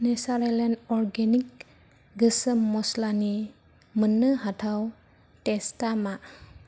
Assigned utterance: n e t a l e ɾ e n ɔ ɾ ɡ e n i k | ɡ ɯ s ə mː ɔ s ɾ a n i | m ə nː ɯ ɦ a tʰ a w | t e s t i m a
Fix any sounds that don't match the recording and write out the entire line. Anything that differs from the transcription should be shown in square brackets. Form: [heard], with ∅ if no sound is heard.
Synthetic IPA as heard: n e [s] a [ɾ] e [l] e n ɔ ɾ ɡ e n i k | ɡ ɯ s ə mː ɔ s [l] a n i | m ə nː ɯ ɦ a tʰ a w | t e s t [a] m a